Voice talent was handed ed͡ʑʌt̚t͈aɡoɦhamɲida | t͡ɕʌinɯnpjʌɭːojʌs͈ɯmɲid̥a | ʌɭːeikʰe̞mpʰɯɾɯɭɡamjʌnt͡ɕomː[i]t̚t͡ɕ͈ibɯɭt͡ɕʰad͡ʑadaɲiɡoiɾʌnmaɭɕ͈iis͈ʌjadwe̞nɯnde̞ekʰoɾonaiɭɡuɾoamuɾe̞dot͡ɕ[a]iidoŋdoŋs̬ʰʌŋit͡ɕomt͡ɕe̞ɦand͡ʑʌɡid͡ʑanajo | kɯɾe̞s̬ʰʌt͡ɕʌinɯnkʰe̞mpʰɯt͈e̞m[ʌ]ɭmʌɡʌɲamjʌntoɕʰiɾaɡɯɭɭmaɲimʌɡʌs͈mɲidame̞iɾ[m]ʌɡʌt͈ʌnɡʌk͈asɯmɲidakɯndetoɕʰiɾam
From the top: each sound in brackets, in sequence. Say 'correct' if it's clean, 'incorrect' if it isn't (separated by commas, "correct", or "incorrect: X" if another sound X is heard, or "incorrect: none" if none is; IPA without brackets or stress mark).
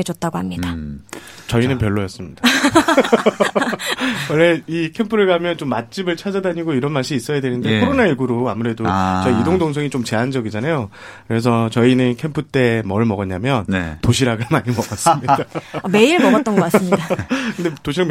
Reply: incorrect: a, incorrect: ʌ, correct, correct